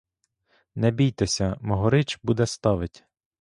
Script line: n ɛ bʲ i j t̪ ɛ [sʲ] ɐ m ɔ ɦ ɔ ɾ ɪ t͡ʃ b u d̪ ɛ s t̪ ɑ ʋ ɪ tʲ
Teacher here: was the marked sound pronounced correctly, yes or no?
yes